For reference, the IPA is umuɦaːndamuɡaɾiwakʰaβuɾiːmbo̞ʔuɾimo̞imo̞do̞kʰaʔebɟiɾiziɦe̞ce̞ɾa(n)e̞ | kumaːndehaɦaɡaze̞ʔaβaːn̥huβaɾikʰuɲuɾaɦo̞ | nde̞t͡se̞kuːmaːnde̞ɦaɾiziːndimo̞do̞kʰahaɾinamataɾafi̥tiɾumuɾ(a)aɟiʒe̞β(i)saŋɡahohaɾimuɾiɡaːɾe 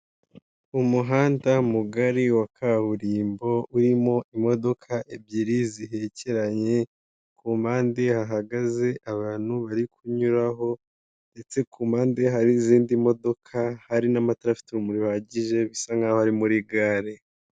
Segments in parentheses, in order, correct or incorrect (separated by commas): incorrect, incorrect, correct